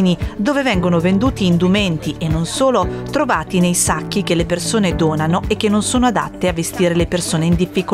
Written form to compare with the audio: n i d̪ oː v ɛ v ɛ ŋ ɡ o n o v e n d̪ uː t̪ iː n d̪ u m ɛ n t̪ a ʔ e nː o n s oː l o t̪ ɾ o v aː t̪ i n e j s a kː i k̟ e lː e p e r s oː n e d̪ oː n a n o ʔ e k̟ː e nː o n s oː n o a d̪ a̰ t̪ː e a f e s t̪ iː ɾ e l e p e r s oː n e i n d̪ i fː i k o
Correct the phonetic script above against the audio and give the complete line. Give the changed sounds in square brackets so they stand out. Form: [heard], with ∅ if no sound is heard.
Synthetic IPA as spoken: n i d̪ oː v [e] v ɛ ŋ ɡ o n o v e n d̪ uː t̪ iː n d̪ u m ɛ n t̪ [i] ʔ e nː o n s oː l o t̪ ɾ o v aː t̪ i n e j s a kː i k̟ e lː e p e r s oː n e d̪ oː n a n o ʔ e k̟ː e nː o n s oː n o a d̪ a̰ t̪ː e a [v] e s t̪ iː ɾ e l e p e r s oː n e i n d̪ i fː i k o